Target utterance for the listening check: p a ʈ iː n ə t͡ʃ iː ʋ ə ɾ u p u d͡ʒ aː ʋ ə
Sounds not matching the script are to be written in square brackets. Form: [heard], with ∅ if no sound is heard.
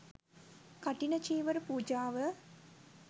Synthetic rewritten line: [k] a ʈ [i] n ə t͡ʃ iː ʋ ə ɾ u p [uː] d͡ʒ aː ʋ ə

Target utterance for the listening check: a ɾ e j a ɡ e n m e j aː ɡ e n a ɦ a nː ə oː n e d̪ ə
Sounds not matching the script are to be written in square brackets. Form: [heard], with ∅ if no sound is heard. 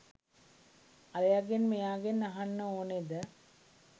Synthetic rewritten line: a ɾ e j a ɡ e n m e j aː ɡ e n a ɦ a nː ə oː n e d̪ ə

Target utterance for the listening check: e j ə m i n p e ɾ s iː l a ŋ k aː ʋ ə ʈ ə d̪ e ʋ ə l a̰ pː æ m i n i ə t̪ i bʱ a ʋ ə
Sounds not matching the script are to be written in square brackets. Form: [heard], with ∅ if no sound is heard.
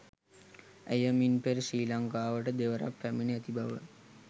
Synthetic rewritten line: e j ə m i n p e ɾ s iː l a ŋ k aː ʋ ə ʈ ə d̪ e ʋ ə [ɾ] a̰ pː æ m i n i ə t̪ i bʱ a ʋ ə

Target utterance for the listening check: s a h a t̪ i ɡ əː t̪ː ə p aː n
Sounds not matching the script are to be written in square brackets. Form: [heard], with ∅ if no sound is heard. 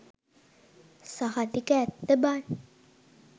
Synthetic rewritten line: s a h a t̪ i [k] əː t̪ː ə [b] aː n

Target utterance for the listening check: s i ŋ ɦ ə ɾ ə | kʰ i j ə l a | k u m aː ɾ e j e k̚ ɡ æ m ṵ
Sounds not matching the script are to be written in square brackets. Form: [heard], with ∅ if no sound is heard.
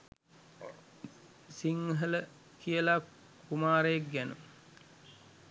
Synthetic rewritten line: s i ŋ ɦ ə [l] ə | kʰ i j ə l a | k u m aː ɾ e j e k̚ ɡ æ [n] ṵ

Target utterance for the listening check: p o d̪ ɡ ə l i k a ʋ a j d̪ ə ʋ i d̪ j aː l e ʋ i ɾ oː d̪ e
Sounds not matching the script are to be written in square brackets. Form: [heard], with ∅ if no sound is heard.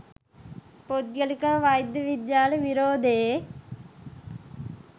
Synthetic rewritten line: p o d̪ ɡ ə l i k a ʋ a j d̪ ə ʋ i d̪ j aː l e ʋ i ɾ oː d̪ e

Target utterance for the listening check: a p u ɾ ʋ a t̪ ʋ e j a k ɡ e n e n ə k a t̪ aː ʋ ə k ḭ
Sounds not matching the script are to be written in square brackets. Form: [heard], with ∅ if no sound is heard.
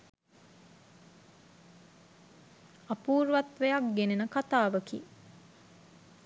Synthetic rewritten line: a p [uː] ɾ ʋ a t̪ ʋ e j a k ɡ e n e n ə k a t̪ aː ʋ ə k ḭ

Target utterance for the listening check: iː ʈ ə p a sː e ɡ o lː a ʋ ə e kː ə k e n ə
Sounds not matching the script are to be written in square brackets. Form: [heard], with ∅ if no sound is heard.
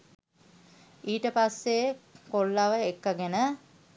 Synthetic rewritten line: iː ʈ ə p a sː e [k] o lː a ʋ ə e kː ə [ɡ] e n ə

